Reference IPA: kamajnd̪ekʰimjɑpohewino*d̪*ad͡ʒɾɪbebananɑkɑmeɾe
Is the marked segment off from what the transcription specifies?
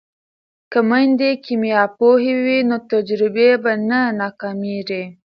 yes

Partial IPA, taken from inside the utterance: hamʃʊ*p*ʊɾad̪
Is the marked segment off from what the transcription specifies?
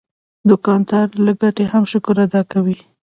yes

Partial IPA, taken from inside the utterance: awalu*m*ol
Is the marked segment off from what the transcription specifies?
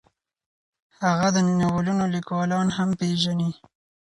yes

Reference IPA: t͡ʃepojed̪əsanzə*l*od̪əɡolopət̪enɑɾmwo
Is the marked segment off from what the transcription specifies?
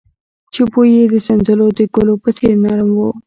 no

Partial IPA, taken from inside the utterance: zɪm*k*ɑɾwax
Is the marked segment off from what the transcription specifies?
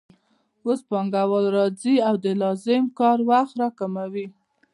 no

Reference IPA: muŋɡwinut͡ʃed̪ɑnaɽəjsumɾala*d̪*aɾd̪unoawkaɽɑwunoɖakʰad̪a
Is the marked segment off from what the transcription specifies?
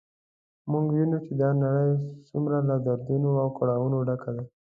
no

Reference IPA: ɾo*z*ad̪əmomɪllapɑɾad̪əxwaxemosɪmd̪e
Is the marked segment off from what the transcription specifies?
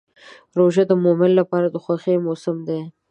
yes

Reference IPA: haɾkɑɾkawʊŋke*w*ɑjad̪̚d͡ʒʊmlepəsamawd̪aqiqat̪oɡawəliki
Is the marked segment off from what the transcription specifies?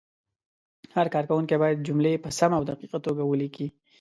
yes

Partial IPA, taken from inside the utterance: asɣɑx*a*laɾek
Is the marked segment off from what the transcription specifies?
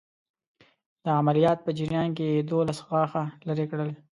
no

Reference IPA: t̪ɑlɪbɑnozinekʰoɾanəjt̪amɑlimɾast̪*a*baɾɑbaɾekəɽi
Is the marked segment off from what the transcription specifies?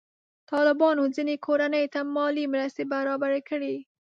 yes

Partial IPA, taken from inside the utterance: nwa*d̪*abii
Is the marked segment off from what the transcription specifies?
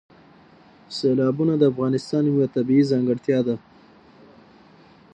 yes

